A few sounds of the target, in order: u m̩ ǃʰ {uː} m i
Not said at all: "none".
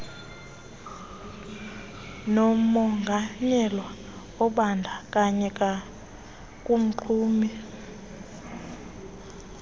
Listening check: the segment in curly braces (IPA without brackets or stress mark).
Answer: uː